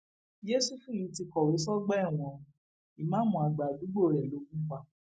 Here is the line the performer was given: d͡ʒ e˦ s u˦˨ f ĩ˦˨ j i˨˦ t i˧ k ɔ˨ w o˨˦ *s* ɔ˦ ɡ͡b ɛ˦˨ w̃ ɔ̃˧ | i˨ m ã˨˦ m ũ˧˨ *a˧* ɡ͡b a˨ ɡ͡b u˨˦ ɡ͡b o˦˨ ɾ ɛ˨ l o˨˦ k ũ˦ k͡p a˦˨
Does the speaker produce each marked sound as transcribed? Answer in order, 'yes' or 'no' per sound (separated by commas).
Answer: yes, yes